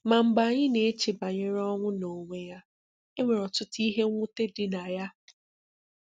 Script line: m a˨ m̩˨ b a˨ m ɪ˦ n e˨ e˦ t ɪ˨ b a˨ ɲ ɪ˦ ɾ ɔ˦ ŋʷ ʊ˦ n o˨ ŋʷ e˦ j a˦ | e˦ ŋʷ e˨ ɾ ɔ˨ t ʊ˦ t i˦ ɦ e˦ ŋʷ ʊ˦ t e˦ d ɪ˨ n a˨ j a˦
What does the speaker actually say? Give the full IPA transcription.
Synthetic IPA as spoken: m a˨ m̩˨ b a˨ ɲ ɪ˦ n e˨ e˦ t͡ʃ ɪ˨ b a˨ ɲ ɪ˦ ɾ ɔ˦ ŋʷ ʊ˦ n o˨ ŋʷ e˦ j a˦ | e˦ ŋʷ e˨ ɾ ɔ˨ t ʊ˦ t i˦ ɦ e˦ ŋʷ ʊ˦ t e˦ d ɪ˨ n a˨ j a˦